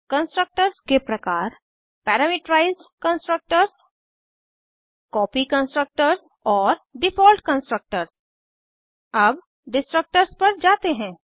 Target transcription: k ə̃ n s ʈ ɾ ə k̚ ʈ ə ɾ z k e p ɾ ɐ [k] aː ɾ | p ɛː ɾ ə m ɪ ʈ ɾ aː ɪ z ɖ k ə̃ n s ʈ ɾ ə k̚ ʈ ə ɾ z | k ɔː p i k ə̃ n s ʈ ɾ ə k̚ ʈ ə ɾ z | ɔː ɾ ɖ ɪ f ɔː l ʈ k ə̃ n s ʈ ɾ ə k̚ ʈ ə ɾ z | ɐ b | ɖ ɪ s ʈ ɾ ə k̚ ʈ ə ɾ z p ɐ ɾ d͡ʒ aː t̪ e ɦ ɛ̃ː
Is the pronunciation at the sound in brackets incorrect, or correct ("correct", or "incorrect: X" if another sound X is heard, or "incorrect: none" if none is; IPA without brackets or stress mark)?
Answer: correct